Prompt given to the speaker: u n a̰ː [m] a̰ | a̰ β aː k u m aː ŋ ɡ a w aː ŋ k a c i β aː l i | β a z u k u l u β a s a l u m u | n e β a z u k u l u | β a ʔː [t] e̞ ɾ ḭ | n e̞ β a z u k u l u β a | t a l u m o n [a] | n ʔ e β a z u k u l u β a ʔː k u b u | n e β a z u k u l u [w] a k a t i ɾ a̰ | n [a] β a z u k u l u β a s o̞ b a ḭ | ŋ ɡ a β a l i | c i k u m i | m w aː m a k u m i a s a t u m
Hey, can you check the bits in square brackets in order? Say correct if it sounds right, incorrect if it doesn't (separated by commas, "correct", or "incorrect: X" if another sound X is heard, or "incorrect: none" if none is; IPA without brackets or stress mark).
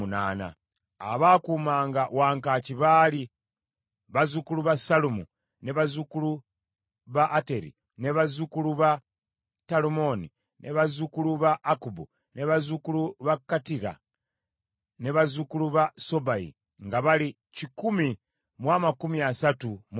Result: incorrect: n, correct, incorrect: i, incorrect: β, incorrect: e